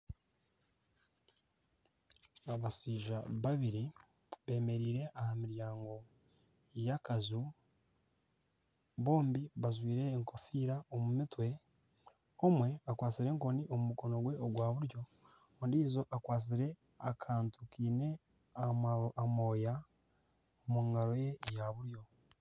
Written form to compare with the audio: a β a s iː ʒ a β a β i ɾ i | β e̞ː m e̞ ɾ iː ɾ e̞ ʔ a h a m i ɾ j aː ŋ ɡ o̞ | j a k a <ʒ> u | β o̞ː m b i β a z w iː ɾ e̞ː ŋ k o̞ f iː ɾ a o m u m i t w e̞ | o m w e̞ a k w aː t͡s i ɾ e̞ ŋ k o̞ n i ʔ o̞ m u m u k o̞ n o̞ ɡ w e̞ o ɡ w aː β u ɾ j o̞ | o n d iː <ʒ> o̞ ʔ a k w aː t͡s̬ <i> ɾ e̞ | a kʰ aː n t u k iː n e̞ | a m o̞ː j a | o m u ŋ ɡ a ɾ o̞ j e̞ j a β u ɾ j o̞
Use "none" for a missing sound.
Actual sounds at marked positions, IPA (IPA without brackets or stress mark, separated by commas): z, z, i